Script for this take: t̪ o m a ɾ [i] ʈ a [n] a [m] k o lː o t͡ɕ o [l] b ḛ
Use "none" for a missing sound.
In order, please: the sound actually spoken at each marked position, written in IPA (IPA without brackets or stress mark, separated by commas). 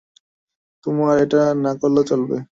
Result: e, n, none, l